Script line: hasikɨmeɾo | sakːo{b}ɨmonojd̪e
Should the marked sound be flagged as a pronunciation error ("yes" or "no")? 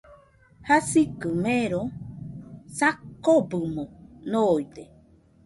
no